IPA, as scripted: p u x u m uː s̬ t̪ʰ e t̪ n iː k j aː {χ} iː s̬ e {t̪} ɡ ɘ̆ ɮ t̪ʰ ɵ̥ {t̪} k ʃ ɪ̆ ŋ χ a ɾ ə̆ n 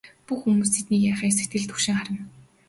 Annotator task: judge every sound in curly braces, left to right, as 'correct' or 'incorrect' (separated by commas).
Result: correct, correct, incorrect